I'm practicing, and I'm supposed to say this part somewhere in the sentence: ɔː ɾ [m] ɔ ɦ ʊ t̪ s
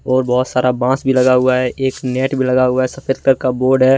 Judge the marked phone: incorrect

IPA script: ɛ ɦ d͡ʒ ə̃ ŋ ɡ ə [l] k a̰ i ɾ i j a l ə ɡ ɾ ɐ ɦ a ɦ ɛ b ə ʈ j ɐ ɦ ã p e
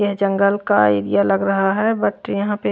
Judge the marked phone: correct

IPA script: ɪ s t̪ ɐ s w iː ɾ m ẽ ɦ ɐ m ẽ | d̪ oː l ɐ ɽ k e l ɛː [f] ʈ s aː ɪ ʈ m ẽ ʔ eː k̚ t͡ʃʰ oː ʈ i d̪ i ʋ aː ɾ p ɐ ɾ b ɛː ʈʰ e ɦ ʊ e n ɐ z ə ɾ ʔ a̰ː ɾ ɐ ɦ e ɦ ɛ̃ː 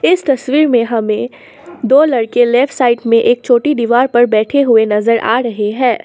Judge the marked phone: correct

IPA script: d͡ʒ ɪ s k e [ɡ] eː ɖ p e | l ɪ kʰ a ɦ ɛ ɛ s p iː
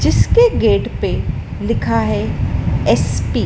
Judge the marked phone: correct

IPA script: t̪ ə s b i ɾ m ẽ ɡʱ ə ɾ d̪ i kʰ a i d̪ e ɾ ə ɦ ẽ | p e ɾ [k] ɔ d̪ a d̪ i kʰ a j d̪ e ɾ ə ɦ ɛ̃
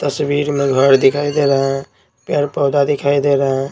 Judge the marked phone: incorrect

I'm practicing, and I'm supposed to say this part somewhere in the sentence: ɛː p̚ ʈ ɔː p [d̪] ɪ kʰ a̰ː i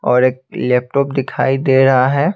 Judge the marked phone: correct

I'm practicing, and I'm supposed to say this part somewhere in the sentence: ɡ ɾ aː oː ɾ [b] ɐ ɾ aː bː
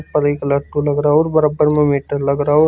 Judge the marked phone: correct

